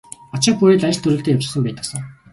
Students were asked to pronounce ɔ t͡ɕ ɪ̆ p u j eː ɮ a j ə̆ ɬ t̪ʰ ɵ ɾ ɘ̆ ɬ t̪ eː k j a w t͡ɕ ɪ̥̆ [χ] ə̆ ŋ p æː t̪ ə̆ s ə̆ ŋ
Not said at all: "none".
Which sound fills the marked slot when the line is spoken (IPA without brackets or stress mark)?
s